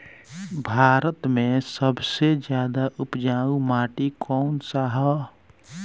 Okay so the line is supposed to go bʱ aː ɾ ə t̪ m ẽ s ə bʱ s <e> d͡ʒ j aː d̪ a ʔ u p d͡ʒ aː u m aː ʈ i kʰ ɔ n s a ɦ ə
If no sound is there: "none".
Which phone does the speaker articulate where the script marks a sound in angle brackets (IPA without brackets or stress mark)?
e